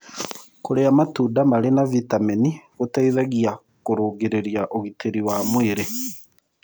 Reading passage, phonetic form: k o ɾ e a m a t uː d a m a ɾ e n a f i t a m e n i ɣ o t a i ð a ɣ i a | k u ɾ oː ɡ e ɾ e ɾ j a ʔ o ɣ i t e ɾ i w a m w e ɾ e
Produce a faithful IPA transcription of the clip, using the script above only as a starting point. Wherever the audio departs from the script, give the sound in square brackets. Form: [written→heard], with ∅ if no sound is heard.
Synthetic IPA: k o ɾ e a m a t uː d a m a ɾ e n a [f→v] i t a m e n i ɣ o t a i ð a ɣ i a | k [u→o] ɾ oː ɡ e ɾ e ɾ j a ʔ o ɣ i t e ɾ i w a m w e ɾ e